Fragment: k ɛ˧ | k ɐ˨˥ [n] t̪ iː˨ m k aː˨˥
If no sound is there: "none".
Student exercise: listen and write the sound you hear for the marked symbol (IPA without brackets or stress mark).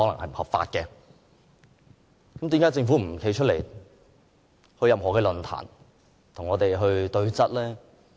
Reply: m